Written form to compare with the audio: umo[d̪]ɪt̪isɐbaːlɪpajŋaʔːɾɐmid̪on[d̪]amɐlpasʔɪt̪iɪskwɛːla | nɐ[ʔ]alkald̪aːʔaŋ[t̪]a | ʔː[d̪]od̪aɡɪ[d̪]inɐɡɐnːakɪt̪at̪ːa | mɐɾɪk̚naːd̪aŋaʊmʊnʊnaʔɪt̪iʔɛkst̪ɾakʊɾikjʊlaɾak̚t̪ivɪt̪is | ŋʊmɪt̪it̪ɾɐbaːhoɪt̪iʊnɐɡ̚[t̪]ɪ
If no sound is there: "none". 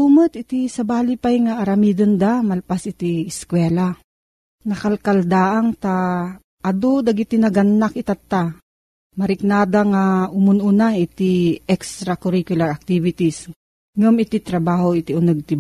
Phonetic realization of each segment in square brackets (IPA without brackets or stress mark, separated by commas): t̪, d̪, k, t̪, d̪, t̪, t̪